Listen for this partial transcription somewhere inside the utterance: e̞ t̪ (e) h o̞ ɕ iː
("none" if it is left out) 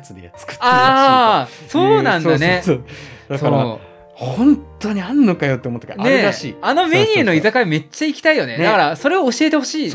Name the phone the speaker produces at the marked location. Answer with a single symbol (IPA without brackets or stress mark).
e